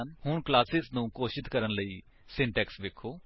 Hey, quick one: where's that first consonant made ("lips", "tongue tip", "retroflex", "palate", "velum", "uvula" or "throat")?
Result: tongue tip